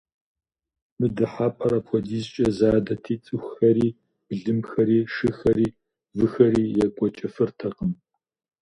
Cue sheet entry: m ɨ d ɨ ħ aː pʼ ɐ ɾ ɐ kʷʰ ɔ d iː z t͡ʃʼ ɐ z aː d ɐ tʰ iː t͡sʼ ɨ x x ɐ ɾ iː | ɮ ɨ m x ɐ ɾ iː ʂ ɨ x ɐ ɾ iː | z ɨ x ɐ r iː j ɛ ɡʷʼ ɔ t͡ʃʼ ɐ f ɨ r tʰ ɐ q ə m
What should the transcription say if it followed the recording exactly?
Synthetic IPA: m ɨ d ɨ ħ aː pʼ ɐ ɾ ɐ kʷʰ ɔ d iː z t͡ʃʼ ɐ z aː d ɐ tʰ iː t͡sʼ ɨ x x ɐ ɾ iː | ɮ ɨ m x ɐ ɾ iː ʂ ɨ x ɐ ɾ iː | v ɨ x ɐ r iː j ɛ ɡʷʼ ɔ t͡ʃʼ ɐ f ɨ r tʰ ɐ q ə m